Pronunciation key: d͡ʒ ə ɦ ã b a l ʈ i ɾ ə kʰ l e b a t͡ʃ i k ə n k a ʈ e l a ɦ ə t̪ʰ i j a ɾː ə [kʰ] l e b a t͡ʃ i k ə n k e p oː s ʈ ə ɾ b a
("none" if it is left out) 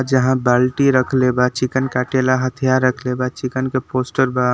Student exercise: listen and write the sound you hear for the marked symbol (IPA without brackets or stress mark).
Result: kʰ